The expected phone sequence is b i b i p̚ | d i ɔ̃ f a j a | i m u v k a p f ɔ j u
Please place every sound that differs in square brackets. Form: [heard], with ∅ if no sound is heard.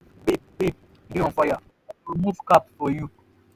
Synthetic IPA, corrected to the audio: b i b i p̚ | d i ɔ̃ f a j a | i m u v k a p f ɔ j u